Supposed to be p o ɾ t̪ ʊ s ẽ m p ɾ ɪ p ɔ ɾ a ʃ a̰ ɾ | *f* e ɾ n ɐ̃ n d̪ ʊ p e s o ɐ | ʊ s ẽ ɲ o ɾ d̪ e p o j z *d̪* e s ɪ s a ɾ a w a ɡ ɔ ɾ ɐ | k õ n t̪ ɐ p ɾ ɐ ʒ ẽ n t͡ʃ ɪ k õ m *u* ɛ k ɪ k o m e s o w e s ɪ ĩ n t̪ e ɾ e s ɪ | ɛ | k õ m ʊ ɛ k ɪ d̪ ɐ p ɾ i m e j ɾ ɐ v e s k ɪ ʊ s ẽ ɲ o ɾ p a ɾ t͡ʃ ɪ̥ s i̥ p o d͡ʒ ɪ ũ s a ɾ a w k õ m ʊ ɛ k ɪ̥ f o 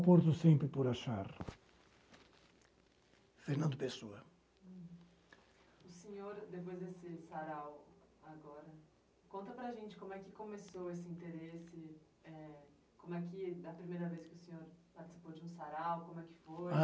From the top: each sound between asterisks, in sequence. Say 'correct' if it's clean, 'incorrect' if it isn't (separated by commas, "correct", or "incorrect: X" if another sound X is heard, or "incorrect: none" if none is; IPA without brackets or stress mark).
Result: correct, correct, incorrect: ʊ